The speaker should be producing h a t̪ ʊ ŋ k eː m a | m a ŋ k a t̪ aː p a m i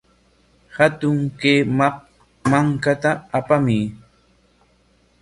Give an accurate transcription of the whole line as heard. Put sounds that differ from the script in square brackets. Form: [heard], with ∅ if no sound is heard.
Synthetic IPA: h a t̪ ʊ ŋ k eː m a | m a ŋ k a t̪ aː p a m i